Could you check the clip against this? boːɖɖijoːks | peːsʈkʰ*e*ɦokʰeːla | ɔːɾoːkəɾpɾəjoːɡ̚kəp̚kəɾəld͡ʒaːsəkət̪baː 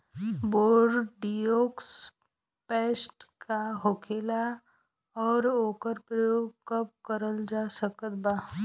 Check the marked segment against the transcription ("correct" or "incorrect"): incorrect